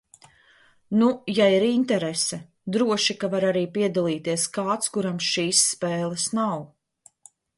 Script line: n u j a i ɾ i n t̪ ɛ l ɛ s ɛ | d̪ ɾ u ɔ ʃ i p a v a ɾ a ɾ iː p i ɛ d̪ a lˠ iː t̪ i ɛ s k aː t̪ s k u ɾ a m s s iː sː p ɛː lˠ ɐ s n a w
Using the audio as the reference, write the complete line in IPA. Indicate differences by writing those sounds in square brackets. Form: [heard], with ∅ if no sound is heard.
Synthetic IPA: n u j a i ɾ i n t̪ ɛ [ɾ] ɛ s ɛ | d̪ ɾ u ɔ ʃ i [k] a v a ɾ a ɾ iː p i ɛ d̪ a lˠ iː t̪ i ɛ s k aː t̪ s k u ɾ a m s [ʃ] iː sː p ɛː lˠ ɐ s n a w

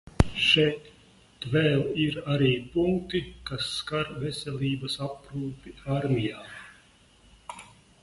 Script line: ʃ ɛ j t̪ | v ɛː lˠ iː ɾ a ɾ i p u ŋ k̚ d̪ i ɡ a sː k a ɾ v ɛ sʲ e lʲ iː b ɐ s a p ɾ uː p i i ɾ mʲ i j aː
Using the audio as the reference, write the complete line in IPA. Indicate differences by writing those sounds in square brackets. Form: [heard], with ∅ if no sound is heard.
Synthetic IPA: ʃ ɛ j t̪ | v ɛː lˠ [i] ɾ a ɾ [iː] p u ŋ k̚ [t̪] i [k] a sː k a ɾ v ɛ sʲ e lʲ iː b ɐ s a p ɾ uː p i [a] ɾ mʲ i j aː

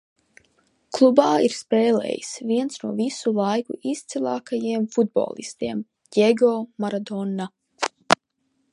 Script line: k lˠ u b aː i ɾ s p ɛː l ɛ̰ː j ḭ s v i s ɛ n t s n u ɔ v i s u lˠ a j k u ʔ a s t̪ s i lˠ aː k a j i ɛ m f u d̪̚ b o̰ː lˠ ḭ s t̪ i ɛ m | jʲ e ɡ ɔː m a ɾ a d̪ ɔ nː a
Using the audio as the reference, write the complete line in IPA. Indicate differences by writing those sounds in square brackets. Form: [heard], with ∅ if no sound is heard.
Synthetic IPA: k lˠ u b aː i ɾ s p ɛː l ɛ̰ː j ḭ s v i [∅] ɛ n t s n u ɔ v i s u lˠ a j k u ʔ [i] s t̪ s i lˠ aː k a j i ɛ m f u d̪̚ b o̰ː lˠ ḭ s t̪ i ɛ m | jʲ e ɡ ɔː m a ɾ a d̪ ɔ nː a

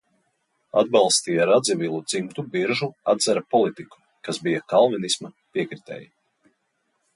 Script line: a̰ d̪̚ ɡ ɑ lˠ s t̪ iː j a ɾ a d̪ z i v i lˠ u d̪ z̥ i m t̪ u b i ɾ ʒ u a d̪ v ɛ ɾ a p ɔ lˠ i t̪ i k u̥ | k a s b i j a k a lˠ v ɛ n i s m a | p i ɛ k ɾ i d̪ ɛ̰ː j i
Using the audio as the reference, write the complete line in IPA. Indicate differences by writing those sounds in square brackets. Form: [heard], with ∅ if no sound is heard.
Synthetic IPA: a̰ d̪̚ [b] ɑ lˠ s t̪ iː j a ɾ a d̪ z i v i lˠ u d̪ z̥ i m t̪ u b i ɾ ʒ u a d̪ [z] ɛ ɾ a p ɔ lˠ i t̪ i k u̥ | k a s b i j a k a lˠ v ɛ n i s m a | p i ɛ k ɾ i [t̪] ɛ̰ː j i

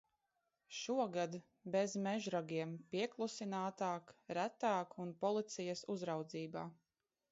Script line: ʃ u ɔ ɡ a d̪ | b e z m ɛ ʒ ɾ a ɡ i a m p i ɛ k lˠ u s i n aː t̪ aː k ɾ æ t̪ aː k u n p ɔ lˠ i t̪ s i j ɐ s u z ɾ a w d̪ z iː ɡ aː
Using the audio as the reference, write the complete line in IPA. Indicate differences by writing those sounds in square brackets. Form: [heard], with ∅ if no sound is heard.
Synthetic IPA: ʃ u ɔ ɡ a d̪ | b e z m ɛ ʒ ɾ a ɡ i [ɛ] m p i ɛ k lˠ u s i n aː t̪ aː k ɾ æ t̪ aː k u n p ɔ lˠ i t̪ s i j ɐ s u z ɾ a w d̪ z iː [b] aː

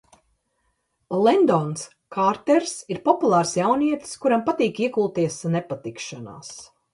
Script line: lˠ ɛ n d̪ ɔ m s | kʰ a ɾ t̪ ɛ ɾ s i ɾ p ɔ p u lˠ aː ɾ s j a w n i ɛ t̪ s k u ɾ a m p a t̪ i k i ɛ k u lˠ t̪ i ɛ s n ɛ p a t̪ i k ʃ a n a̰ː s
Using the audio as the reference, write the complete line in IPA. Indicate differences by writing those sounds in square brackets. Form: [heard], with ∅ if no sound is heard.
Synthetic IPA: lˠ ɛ n d̪ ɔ [n] s | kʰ a ɾ t̪ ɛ ɾ s i ɾ p ɔ p u lˠ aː ɾ s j a w n i ɛ t̪ s k u ɾ a m p a t̪ [iː] k i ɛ k u lˠ t̪ i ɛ s n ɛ p a t̪ i k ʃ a n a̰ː s

